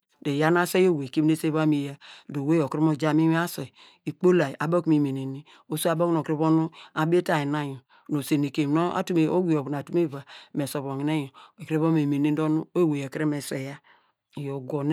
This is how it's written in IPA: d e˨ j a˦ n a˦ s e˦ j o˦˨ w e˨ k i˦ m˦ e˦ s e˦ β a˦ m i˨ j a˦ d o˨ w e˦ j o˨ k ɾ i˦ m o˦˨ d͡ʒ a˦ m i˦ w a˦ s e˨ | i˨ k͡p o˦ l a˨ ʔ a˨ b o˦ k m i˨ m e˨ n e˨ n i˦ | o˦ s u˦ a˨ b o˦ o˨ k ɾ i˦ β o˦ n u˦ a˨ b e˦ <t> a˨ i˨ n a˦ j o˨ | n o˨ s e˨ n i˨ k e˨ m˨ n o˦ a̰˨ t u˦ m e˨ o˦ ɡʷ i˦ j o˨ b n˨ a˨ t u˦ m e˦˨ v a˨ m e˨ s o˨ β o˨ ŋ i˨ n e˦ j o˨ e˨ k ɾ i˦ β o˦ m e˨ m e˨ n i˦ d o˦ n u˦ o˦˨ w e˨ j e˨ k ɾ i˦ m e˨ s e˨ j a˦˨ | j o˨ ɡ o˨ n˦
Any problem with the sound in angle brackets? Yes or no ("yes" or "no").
no